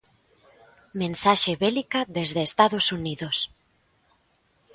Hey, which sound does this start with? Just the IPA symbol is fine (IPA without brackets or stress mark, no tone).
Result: m